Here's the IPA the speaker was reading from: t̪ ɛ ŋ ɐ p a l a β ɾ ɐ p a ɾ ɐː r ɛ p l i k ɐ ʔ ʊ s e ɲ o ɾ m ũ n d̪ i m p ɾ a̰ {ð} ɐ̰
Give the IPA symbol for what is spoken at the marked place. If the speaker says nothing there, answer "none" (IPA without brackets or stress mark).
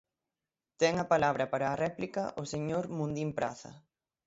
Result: θ